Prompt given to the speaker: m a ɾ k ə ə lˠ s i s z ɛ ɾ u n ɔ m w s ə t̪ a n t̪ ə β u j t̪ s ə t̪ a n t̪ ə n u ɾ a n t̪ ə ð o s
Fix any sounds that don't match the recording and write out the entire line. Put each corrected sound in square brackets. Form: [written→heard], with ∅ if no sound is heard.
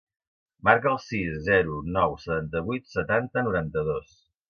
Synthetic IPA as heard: m a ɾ k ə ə lˠ s i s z ɛ ɾ u n ɔ [m→∅] w s ə t̪ a n t̪ ə β u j t̪ s ə t̪ a n t̪ ə n u ɾ a n t̪ ə ð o s

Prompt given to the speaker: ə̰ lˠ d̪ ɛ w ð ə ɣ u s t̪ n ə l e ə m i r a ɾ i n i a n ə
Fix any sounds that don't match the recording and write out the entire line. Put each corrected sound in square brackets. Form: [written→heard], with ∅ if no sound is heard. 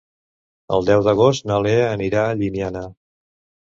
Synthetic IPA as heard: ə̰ lˠ d̪ ɛ w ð ə ɣ [u→o] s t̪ n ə l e ə [m→n] i [r→ɾ] a [ɾ→ʎ] i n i a n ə

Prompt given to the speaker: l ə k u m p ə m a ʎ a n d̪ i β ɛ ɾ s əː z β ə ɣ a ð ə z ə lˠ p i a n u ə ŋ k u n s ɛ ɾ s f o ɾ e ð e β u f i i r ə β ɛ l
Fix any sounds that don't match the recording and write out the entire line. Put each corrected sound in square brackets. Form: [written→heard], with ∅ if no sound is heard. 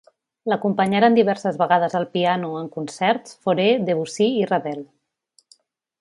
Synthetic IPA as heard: l ə k u m p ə [m→ɲ] a [ʎ→ɾ] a n d̪ i β ɛ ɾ s [əː→ə] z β ə ɣ a ð ə z ə lˠ p i a n u ə ŋ k u n s ɛ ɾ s f o ɾ e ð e β u [f→s] i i r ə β ɛ l

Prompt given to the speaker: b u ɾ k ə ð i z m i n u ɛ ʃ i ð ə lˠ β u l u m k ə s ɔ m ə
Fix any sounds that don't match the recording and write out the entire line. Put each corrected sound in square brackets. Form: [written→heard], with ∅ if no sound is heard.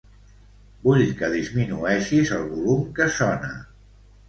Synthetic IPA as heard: b u [ɾ→ʎ] k ə ð i z m i n u ɛ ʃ i [ð→z] ə lˠ β u l u m k ə s ɔ [m→n] ə

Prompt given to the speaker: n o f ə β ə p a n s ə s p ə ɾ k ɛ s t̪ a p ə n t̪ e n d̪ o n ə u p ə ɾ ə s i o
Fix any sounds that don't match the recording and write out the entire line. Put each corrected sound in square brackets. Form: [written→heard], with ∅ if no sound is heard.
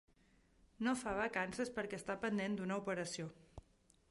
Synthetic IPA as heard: n o f [ə→a] β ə [p→k] a n s ə s p ə ɾ k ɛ s t̪ a p ə n [t̪→d̪] e n d̪ [o→u] n ə u p ə ɾ ə s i o

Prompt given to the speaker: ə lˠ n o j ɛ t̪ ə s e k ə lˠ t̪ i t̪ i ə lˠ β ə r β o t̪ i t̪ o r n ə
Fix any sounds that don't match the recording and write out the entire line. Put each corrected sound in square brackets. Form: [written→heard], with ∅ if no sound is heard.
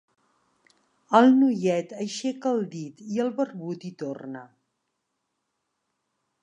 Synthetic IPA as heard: ə lˠ n [o→u] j ɛ t̪ ə [s→ʃ] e k ə lˠ [t̪→d̪] i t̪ i ə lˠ β ə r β [o→u] t̪ i t̪ o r n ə

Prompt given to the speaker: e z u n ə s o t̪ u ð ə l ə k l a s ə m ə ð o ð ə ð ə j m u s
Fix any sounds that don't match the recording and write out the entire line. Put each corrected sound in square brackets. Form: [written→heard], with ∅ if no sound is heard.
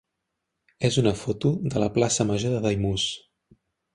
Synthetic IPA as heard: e z u n ə [s→f] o t̪ u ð ə l ə [k→p] l a s ə m ə [ð→ʒ] o ð ə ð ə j m u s

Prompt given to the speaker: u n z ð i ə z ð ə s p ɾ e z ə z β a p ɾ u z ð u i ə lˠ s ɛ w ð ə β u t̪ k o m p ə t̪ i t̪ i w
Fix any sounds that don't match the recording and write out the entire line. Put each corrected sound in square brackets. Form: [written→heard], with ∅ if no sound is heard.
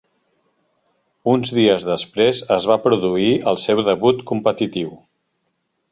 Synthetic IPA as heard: u n z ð i ə z ð ə s p ɾ e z ə z β a p ɾ u [z→∅] ð u i ə lˠ s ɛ w ð ə β u t̪ k [o→u] m p ə t̪ i t̪ i w

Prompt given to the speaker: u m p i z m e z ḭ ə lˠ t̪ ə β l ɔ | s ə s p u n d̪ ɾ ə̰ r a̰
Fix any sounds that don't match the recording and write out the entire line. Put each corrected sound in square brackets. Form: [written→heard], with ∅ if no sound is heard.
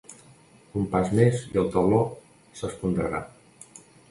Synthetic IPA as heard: u m p [i→a] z m e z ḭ ə lˠ t̪ ə β l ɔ | s ə s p u n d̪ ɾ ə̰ [r→ɾ] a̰

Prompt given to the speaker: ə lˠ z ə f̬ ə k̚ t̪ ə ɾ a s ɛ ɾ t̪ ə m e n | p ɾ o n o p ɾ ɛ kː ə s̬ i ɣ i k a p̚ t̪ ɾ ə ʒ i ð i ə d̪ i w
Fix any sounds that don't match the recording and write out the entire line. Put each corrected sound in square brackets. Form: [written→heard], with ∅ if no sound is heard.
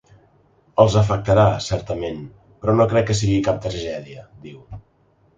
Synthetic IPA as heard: ə lˠ z ə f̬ ə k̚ t̪ ə ɾ a s ɛ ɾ t̪ ə m e n | p ɾ [o→ɔ] n o [p→k] ɾ ɛ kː ə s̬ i ɣ i k a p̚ t̪ ɾ ə ʒ [i→ɛ] ð i ə d̪ i w

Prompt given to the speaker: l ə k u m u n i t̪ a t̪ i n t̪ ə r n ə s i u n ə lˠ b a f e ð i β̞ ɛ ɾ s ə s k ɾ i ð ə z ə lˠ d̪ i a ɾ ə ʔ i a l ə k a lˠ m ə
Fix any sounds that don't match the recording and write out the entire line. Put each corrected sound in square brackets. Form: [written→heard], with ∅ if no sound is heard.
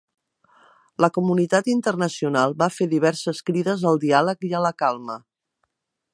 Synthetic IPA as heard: l ə k u m u n i t̪ a t̪ i n t̪ ə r n ə s i u n [ə→a] lˠ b a f e ð i β̞ ɛ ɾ s ə s k ɾ i ð ə z ə lˠ d̪ i a [ɾ→l] ə [ʔ→k] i [a→ə] l ə k a lˠ m ə

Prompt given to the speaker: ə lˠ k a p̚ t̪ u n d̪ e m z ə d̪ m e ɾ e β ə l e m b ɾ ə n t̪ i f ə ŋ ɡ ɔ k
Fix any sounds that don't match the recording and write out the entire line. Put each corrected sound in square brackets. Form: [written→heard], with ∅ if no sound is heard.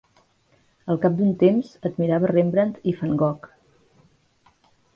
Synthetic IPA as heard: ə lˠ k a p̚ [t̪→d̪] u n [d̪→t̪] e m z ə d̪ m [e→i] ɾ [e→a] β ə [l→r] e m b ɾ ə n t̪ i f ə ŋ ɡ ɔ k

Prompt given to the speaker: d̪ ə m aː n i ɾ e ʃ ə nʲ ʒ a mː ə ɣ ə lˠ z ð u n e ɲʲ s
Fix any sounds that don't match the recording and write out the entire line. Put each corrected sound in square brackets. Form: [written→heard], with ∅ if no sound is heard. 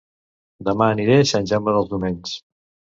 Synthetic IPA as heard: d̪ ə m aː n i ɾ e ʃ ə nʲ ʒ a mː ə [ɣ→ð] ə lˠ z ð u [n→m] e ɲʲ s

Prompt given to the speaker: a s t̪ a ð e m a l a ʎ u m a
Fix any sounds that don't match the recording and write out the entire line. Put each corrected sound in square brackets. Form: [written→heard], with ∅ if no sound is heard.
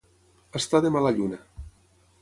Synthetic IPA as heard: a s t̪ a ð e m a l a ʎ u [m→n] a

